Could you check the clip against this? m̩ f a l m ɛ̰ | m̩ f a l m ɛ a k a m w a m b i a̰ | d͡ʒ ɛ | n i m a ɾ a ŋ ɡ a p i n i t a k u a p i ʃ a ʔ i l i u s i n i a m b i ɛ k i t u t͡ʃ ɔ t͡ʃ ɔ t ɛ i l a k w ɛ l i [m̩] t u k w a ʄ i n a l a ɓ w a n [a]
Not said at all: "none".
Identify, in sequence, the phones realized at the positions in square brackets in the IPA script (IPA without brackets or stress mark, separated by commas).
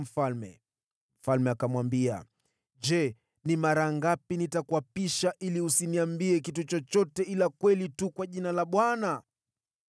none, a